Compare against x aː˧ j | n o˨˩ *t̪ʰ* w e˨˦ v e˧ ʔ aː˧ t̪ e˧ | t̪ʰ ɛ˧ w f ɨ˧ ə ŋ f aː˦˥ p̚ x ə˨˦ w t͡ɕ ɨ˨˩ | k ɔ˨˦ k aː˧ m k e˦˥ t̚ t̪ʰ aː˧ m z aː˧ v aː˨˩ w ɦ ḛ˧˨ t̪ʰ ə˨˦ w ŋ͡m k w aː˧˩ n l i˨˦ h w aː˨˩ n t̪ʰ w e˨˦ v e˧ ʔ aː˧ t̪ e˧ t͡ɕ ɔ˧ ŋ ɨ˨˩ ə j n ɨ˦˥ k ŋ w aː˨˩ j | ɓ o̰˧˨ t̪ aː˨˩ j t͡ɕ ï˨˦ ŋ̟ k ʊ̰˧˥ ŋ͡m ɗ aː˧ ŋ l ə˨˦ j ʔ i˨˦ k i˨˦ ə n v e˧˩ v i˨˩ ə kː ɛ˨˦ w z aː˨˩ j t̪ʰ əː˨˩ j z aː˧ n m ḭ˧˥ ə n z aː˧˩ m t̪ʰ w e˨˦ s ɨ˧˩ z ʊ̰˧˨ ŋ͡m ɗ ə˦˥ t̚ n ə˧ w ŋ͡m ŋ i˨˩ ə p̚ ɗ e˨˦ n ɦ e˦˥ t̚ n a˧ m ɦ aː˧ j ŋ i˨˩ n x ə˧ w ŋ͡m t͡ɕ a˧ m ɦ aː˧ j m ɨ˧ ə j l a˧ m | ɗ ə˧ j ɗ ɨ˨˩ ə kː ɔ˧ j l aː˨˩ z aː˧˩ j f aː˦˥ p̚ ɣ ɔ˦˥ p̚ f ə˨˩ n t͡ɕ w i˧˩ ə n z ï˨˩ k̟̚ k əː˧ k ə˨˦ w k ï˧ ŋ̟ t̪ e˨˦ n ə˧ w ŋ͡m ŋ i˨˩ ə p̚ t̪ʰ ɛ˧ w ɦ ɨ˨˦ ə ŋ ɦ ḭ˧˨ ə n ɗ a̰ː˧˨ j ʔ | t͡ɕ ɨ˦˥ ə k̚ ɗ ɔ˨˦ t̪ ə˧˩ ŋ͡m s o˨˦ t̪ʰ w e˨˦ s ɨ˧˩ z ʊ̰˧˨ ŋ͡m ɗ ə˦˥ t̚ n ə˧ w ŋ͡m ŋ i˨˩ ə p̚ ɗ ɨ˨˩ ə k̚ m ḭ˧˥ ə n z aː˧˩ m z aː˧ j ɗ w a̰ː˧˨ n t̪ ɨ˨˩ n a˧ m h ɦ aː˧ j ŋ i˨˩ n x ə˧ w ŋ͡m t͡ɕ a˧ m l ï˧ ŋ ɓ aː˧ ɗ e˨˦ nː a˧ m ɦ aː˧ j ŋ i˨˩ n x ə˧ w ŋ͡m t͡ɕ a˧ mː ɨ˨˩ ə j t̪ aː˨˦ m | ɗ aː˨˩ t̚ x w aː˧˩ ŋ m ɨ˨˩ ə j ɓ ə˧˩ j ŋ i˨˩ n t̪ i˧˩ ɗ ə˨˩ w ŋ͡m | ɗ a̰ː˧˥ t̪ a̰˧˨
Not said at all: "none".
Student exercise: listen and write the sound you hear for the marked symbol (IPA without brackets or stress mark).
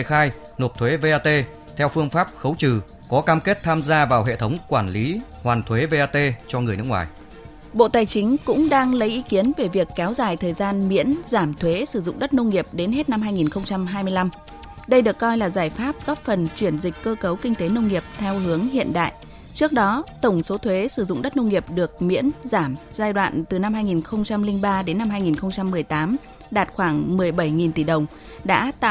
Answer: t̪ʰ